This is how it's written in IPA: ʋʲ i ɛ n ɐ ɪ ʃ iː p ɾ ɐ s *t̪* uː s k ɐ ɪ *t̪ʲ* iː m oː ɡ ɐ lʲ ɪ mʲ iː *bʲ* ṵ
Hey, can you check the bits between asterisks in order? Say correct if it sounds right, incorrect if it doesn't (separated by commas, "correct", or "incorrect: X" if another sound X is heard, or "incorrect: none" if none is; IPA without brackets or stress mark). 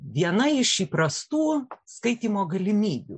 correct, correct, correct